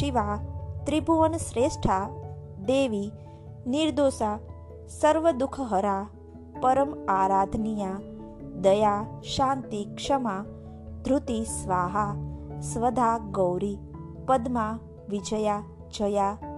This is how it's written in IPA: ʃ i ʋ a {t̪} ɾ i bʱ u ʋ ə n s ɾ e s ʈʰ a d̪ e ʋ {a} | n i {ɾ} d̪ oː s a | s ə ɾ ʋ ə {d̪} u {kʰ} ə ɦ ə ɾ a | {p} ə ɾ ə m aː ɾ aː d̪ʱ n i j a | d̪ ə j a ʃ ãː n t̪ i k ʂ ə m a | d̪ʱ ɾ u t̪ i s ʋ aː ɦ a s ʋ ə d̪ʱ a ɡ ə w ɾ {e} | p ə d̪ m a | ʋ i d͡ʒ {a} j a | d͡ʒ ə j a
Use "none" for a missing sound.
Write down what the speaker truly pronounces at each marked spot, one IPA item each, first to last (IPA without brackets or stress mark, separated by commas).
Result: t̪, i, ɾ, d̪, kʰ, p, i, ə